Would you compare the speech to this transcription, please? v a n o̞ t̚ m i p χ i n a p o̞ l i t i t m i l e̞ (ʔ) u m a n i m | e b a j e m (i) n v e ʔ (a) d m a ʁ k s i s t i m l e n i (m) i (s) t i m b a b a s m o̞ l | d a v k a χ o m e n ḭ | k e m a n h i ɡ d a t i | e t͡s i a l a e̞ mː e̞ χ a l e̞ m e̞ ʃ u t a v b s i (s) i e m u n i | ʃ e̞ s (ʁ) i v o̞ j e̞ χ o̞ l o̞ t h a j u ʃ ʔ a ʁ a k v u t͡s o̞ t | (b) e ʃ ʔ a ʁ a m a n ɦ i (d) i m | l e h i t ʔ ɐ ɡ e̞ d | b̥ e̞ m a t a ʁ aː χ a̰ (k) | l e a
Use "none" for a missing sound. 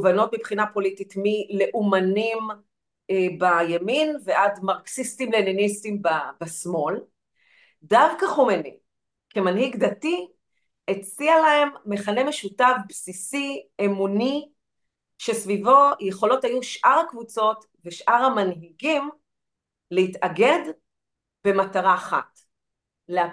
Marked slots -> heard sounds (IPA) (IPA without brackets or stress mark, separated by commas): ʔ, i, a, n, s, s, v, v, ɡ, t